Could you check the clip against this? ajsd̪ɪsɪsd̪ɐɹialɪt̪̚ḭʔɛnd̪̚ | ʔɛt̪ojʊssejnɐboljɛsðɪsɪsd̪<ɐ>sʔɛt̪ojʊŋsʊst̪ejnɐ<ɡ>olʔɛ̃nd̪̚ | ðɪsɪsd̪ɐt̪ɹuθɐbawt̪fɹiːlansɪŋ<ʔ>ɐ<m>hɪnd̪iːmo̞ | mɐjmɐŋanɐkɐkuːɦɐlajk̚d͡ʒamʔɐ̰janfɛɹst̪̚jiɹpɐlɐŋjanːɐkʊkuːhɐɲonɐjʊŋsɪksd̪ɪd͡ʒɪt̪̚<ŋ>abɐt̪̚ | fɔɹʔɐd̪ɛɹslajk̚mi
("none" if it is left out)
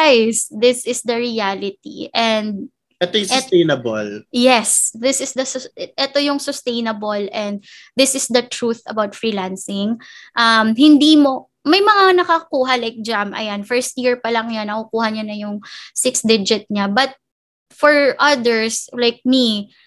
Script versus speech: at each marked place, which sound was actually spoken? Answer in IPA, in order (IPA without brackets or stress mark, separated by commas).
ɐ, b, ʔ, m, ɲ